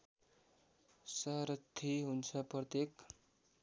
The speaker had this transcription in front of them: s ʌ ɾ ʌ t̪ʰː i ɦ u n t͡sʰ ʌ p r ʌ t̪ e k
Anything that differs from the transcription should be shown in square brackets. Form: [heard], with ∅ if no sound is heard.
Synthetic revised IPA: s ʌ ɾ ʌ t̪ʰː i ɦ u n t͡sʰ ʌ p r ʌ t̪ e k